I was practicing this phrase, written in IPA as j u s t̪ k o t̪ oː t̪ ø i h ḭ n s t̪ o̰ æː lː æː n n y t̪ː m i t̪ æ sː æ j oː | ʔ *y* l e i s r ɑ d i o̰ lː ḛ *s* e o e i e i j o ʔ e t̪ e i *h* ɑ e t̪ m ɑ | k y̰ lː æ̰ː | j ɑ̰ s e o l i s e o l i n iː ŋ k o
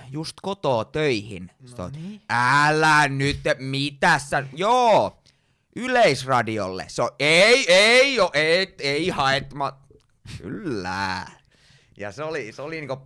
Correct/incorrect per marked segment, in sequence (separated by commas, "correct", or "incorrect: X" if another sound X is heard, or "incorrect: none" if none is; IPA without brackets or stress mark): correct, correct, correct